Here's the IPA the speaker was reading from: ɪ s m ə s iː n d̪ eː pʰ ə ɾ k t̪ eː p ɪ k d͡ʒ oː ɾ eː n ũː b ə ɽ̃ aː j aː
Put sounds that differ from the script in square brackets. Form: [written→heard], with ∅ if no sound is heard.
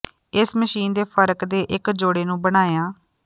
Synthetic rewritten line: ɪ s m ə [s→ʃ] iː n d̪ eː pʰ ə ɾ k [t̪→d̪] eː [p→ʔ] ɪ k d͡ʒ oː [ɾ→ɽ] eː n ũː b ə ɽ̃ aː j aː